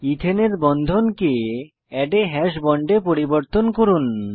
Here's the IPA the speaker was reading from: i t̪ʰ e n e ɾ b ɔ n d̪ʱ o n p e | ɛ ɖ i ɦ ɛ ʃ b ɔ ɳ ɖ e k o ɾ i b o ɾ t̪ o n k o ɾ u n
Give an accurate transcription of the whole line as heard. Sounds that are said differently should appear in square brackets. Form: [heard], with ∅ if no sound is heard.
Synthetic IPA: i t̪ʰ e n e ɾ b ɔ n d̪ʱ o n [k] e | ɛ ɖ [e] ɦ ɛ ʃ b ɔ ɳ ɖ e [p] o ɾ i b o ɾ t̪ o n k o ɾ u n